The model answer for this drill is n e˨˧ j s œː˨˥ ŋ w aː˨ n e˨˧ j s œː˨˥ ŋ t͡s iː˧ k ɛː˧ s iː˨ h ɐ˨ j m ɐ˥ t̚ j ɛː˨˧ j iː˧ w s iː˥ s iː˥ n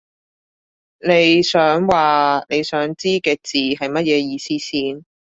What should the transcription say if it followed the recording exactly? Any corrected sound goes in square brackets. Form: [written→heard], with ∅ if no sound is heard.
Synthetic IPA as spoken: n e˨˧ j s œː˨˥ ŋ w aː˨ n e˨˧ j s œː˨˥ ŋ t͡s [iː˧→iː˥] k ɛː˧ [s→t͡s] iː˨ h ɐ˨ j m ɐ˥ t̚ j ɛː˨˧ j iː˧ [w→∅] s iː˥ s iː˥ n